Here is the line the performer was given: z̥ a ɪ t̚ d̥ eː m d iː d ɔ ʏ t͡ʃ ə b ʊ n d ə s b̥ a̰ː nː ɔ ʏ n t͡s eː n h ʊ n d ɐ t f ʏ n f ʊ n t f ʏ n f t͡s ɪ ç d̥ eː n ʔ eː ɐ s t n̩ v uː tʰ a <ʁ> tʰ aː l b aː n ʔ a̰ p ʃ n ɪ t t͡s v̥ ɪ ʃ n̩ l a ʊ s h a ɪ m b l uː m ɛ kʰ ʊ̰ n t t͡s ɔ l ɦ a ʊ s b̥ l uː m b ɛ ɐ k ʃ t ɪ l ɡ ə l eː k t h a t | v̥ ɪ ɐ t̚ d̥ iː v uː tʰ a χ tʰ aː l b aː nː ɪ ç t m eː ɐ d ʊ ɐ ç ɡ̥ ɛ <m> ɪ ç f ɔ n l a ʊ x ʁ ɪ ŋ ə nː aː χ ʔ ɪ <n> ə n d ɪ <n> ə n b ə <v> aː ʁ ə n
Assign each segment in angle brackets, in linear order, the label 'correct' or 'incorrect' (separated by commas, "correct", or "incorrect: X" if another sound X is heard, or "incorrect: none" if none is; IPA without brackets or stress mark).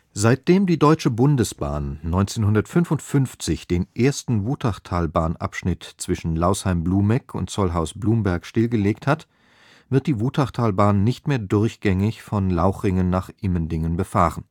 incorrect: χ, incorrect: ŋ, incorrect: m, incorrect: ŋ, incorrect: f